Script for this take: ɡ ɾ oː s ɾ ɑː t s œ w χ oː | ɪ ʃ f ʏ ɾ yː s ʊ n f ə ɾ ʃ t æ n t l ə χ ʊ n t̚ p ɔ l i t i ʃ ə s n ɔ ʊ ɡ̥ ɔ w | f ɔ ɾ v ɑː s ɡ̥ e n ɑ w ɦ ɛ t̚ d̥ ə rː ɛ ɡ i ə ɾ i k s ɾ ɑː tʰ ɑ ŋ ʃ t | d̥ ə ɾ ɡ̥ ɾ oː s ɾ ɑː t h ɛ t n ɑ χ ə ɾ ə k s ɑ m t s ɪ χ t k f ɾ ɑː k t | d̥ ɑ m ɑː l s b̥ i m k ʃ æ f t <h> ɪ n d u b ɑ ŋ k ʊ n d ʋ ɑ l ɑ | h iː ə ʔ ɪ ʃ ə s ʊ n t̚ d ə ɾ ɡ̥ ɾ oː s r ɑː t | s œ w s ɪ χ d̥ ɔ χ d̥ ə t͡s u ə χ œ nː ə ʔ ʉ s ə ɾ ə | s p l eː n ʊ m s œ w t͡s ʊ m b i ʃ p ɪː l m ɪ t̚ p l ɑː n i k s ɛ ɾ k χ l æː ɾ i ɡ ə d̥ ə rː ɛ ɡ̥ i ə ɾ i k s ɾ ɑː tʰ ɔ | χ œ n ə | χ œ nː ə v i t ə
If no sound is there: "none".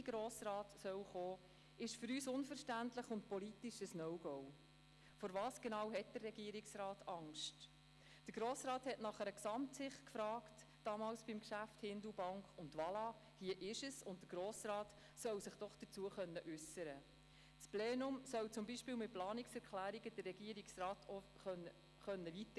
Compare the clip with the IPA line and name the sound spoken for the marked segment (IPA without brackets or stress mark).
h